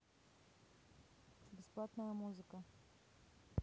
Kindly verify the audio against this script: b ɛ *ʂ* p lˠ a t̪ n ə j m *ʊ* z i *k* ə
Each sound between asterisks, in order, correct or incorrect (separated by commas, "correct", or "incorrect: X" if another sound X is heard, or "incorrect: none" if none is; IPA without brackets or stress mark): incorrect: s, incorrect: u, correct